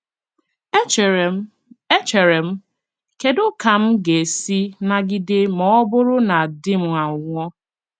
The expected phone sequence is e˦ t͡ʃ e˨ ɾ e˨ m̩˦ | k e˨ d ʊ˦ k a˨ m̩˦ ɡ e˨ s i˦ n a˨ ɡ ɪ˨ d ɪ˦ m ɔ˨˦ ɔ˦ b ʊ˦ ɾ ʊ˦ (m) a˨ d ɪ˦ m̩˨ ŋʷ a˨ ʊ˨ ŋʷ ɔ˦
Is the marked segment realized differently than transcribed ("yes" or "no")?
yes